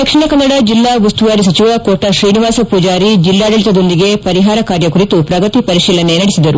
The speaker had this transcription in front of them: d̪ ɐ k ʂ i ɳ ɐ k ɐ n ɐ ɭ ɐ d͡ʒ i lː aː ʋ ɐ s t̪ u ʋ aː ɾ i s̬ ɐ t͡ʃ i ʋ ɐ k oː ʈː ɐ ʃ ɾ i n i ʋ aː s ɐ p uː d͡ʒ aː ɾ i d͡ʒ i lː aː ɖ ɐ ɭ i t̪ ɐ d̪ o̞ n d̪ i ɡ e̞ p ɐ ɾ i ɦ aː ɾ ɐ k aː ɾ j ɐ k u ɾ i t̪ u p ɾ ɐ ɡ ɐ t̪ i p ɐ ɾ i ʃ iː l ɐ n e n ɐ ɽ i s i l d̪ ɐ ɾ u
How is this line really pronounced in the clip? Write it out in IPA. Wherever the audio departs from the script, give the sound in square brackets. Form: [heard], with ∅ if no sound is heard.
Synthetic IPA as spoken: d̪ ɐ k ʂ i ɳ ɐ k ɐ [nː] ɐ [ɽ] ɐ d͡ʒ i lː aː ʋ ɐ s t̪ u ʋ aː ɾ i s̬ ɐ t͡ʃ i ʋ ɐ k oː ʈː ɐ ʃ ɾ [iː] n i ʋ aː s ɐ p uː d͡ʒ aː ɾ i d͡ʒ i lː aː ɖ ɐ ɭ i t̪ ɐ d̪ o̞ n d̪ i ɡ e̞ p ɐ ɾ i ɦ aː ɾ ɐ k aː ɾ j ɐ k u ɾ i t̪ u p ɾ ɐ ɡ ɐ t̪ i p ɐ ɾ i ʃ iː l ɐ n e n ɐ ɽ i s i [∅] d̪ ɐ ɾ u